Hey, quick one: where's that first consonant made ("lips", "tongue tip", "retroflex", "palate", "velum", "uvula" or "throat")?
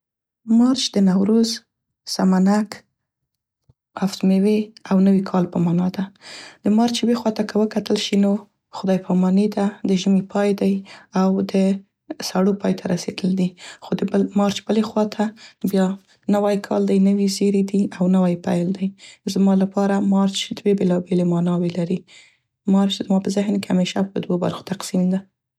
lips